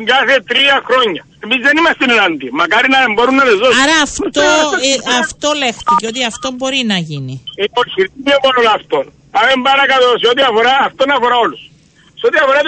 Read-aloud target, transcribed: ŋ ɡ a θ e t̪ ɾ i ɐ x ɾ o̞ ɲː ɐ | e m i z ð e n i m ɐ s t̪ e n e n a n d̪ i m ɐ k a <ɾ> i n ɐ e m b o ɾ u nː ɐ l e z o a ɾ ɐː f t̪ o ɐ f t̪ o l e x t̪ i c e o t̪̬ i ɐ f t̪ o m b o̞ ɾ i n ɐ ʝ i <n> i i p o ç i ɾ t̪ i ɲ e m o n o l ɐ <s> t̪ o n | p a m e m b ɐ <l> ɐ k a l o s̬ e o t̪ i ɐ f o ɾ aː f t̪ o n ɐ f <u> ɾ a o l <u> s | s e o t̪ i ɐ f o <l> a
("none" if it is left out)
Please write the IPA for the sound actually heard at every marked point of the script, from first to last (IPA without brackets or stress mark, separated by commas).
ɾ, n, f, ɾ, o, u, ɾ